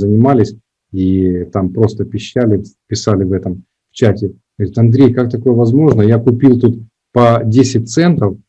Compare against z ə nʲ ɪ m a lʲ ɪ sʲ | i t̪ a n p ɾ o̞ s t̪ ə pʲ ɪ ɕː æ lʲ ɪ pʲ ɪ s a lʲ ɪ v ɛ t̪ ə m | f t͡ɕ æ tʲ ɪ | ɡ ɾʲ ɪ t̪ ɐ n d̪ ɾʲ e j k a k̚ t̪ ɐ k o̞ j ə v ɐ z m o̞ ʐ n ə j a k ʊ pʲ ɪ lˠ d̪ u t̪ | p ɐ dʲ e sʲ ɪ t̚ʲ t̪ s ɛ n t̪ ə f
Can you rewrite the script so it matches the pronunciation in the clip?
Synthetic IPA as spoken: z ə nʲ ɪ m a lʲ ɪ sʲ | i t̪ a m p ɾ o̞ s t̪ ə pʲ ɪ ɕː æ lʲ ɪ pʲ ɪ s a lʲ ɪ v ɛ t̪ ə m | f t͡ɕ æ tʲ ɪ | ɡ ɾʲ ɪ t̪ ɐ n d̪ ɾʲ e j k a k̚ t̪ ɐ k o̞ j ə v ɐ z m o̞ ʐ n ə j a k ʊ pʲ i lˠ t̪ u t̪ | p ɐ dʲ e sʲ ɪ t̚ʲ t̪ s ɛ n t̪ ə f